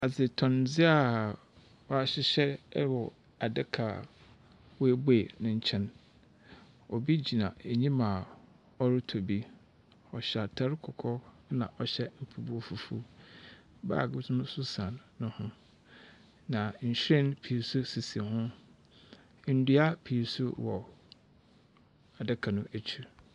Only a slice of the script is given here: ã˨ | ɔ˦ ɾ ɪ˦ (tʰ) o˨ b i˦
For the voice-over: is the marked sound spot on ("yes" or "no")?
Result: yes